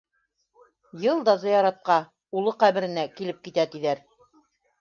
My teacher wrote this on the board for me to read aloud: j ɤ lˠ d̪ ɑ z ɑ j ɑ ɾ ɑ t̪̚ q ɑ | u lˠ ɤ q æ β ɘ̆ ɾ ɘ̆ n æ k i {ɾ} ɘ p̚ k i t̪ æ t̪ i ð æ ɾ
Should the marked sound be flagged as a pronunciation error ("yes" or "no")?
yes